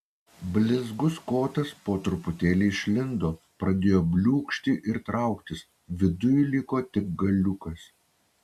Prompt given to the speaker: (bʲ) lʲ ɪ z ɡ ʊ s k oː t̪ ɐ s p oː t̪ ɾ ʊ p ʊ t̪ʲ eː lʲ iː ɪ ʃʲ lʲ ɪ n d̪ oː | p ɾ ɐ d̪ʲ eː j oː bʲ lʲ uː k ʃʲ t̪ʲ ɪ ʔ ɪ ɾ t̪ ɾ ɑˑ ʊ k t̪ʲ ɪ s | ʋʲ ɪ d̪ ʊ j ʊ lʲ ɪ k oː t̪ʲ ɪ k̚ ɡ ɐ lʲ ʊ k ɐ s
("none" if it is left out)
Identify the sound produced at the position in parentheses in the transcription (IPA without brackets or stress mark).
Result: bʲ